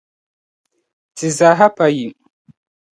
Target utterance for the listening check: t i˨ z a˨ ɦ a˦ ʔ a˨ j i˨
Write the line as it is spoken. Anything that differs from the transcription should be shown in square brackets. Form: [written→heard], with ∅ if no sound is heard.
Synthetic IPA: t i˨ z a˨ ɦ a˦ [ʔ→p] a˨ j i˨